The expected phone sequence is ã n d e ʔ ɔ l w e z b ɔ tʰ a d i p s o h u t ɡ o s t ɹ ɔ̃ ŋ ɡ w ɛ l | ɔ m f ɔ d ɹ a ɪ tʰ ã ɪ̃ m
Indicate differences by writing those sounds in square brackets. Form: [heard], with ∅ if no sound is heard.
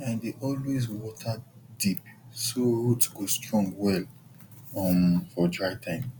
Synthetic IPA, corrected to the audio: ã n d e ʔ ɔ l w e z [w] ɔ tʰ a d i p s o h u t ɡ o s t ɹ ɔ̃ ŋ ɡ w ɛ l | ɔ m f ɔ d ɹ a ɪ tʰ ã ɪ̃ m